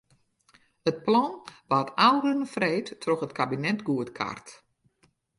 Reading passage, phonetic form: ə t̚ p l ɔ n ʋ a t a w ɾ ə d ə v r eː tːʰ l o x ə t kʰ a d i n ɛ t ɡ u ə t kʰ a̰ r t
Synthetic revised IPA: ə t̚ p l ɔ n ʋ a t a w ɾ ə n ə f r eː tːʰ r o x ə t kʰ a b i n ɛ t ɡ u ə t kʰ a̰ r t